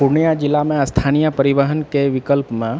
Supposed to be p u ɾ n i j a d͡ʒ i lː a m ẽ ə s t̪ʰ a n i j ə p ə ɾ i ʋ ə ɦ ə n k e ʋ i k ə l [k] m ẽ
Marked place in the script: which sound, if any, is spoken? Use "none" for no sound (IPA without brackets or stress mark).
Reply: p